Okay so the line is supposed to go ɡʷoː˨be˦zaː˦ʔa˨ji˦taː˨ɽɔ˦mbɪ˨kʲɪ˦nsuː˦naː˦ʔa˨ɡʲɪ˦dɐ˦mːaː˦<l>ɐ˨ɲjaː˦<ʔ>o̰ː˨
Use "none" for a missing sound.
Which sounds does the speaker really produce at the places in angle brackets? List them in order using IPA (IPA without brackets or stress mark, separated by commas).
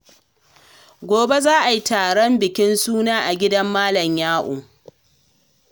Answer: l, ʔ